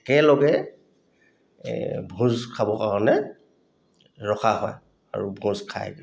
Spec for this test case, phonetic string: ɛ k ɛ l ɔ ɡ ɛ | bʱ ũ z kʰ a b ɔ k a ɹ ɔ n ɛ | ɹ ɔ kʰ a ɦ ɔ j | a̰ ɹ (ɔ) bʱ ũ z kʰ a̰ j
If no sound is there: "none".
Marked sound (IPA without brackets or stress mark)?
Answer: u